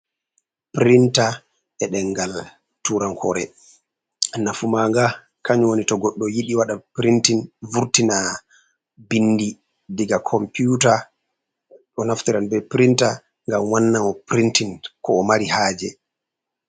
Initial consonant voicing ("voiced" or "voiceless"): voiceless